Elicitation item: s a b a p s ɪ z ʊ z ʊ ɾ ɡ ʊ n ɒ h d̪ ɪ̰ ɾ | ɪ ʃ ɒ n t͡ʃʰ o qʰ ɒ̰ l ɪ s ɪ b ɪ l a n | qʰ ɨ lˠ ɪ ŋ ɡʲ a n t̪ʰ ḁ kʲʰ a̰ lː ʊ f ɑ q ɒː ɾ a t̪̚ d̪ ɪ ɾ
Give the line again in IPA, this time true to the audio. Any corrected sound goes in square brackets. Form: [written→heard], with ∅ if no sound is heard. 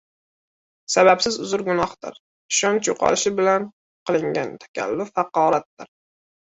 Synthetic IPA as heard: s a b a p s ɪ z ʊ z ʊ ɾ ɡ ʊ n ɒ h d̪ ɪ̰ ɾ | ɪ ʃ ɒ n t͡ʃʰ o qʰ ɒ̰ l ɪ [s→ʃ] ɪ b ɪ l a n | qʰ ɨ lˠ ɪ ŋ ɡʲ a n t̪ʰ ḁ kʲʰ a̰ lː ʊ f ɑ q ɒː ɾ a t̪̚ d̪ ɪ ɾ